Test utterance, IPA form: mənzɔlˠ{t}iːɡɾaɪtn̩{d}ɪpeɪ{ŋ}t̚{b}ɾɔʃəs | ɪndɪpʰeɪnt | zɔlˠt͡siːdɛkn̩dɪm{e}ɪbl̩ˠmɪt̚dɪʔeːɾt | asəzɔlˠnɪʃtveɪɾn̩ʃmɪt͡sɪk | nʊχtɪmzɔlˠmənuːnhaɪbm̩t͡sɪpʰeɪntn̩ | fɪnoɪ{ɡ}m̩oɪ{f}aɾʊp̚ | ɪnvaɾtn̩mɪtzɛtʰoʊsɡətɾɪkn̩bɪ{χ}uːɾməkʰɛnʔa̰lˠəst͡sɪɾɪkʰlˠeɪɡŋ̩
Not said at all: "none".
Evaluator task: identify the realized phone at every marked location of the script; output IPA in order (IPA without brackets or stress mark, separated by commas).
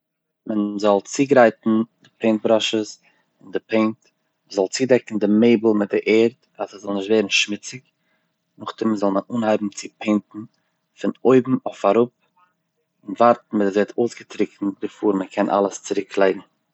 t͡s, d, n, b, e, b, f, f